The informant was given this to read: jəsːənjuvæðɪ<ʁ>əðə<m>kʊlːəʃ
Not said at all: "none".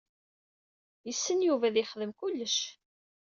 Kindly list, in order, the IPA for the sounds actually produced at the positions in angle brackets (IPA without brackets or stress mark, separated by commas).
χ, m